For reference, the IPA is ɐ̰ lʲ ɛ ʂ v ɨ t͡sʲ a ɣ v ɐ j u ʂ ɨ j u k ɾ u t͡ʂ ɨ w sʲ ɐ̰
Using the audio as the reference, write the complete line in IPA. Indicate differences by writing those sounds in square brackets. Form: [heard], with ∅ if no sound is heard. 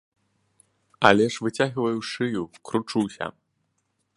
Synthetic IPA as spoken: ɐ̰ lʲ ɛ ʂ v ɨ t͡sʲ a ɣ v ɐ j u ʂ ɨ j u k ɾ u t͡ʂ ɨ w sʲ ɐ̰